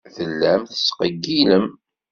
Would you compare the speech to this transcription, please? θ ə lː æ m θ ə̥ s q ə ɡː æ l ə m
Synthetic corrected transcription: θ ə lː æ m θ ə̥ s q ə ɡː i l ə m